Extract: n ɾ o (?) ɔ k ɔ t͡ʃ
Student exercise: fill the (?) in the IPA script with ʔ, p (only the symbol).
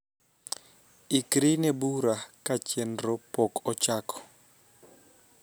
p